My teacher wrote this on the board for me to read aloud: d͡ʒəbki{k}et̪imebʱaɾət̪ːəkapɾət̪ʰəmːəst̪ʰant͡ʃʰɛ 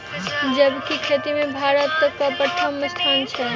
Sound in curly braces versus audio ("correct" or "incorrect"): incorrect